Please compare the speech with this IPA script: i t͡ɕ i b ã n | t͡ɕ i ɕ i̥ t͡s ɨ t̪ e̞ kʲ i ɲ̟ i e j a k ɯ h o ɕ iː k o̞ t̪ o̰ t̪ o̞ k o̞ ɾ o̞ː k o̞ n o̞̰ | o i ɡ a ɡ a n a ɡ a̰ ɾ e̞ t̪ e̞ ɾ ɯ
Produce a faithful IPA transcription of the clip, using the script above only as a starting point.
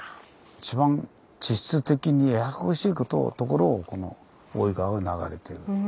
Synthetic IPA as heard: i t͡ɕ i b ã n | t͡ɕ i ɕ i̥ t͡s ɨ t̪ e̞ kʲ i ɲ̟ i e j a k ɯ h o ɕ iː k o̞ t̪ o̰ t̪ o̞ k o̞ ɾ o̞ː k o̞ n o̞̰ | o i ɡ a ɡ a n a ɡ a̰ ɾ e̞ t̪ e̞ ɾ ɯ